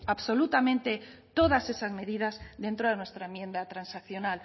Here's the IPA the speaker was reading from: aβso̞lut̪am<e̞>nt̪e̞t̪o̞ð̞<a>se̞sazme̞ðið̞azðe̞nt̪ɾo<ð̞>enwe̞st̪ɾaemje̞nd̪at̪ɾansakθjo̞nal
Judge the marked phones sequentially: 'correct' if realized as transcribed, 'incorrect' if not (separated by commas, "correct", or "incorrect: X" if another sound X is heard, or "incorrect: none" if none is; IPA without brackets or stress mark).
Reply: incorrect: ẽ̞, correct, correct